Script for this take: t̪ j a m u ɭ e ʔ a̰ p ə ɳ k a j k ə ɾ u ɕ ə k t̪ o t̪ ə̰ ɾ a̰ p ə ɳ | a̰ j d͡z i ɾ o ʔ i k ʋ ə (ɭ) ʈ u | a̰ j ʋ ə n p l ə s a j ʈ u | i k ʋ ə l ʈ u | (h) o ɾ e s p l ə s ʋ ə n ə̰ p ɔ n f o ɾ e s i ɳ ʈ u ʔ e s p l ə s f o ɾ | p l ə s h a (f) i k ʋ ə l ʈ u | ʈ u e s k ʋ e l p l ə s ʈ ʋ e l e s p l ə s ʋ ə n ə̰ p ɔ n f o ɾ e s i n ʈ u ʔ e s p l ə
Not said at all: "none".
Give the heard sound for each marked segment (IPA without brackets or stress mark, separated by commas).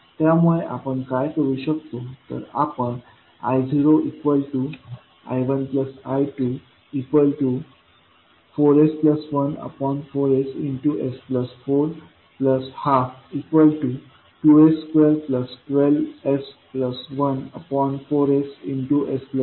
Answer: l, f, f